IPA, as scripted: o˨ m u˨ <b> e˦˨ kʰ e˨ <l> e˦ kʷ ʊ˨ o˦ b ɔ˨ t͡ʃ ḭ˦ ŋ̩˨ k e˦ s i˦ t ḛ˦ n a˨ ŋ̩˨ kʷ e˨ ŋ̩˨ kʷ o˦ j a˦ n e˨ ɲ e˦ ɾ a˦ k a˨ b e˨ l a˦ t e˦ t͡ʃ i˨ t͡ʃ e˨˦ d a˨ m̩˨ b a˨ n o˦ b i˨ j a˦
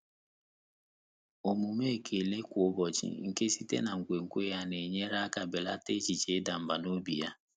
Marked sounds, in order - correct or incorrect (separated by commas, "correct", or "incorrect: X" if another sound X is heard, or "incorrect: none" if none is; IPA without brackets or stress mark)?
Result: incorrect: m, correct